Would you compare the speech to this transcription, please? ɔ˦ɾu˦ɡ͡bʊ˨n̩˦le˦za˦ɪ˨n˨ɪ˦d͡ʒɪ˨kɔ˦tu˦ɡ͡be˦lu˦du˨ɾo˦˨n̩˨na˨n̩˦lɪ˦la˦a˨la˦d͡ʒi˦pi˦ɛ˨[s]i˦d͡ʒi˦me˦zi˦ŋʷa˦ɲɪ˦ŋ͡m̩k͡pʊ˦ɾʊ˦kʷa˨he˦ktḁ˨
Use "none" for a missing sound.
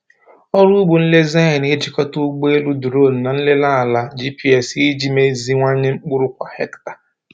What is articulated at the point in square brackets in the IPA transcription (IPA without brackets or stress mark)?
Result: s